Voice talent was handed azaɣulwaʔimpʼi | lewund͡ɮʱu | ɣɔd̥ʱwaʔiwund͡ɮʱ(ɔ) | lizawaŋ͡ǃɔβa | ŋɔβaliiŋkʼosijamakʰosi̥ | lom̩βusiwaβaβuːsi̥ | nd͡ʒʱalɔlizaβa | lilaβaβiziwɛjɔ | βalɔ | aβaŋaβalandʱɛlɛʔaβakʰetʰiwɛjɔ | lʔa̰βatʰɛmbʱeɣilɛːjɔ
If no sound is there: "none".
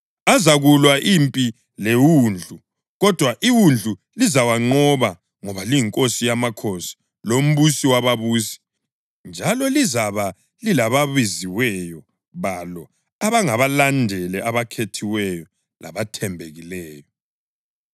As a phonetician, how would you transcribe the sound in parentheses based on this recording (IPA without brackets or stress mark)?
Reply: u